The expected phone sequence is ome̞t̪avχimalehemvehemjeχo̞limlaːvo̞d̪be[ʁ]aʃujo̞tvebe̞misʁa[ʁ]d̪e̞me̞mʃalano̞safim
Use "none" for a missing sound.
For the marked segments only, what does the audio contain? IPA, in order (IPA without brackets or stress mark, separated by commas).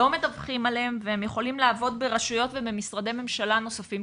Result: ʁ, none